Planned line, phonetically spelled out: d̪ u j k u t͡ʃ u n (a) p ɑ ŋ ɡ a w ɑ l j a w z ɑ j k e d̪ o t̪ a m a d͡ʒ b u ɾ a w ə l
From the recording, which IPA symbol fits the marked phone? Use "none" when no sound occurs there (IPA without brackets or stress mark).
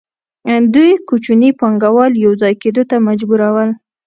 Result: i